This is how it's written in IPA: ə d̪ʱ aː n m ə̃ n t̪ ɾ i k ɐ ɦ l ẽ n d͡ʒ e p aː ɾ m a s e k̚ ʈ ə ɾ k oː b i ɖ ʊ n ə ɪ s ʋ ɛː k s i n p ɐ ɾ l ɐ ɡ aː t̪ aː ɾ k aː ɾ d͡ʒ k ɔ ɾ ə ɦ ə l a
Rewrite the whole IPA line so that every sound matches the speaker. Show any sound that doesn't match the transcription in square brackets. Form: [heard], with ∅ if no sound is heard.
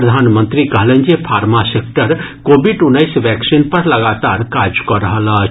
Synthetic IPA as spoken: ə d̪ʱ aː n m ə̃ n t̪ ɾ i k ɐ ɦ l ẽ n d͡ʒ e [pʰ] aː ɾ m a s e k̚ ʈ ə ɾ k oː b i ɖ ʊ n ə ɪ s ʋ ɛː k s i n p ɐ ɾ l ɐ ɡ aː t̪ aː ɾ k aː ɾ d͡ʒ k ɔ ɾ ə ɦ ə l a